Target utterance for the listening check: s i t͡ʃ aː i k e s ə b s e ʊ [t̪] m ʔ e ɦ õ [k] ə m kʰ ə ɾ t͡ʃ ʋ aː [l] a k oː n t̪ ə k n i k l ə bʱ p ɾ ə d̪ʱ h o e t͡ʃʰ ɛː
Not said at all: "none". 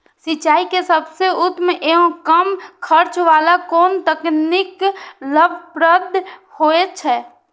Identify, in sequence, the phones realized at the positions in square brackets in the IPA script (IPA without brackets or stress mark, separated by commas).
t̪, k, l